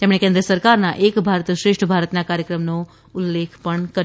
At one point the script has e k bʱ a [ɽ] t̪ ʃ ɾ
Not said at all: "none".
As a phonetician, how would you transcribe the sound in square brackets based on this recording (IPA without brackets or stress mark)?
ɾ